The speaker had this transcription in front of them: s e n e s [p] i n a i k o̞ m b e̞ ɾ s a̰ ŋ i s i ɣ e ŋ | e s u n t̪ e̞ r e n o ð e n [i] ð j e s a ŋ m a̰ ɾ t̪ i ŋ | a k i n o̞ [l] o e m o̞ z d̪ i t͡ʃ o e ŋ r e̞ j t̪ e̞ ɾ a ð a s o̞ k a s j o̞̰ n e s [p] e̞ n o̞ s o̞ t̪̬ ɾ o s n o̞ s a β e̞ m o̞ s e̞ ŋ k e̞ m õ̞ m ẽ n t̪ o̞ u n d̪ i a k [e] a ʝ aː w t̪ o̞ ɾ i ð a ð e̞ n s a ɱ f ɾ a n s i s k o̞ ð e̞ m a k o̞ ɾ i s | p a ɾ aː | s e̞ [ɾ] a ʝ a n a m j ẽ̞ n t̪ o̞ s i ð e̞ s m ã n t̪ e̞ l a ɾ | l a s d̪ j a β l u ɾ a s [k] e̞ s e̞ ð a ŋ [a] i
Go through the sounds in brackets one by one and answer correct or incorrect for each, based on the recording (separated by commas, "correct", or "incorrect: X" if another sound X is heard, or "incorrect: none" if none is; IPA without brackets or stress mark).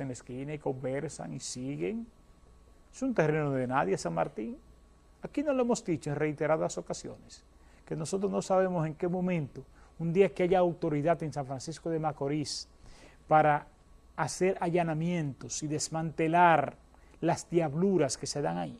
incorrect: k, incorrect: a, correct, incorrect: k, correct, correct, correct, correct